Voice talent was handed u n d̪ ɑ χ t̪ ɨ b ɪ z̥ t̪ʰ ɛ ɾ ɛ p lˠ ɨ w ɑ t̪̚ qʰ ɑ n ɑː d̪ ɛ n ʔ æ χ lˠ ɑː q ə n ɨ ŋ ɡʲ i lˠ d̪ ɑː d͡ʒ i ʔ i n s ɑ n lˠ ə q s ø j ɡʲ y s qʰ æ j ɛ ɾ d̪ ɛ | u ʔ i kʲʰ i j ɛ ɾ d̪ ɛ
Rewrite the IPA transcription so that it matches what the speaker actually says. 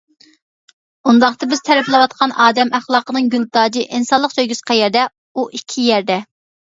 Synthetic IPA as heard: u n d̪ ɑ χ t̪ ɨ b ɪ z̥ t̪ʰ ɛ ɾ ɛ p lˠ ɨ w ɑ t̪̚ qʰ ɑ n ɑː d̪ ɛ m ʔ æ χ lˠ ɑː q ə n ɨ ŋ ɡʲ y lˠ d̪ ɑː d͡ʒ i ʔ i n s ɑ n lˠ ə q s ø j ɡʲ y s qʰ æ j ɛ ɾ d̪ ɛ | u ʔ i kʲʰ i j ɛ ɾ d̪ ɛ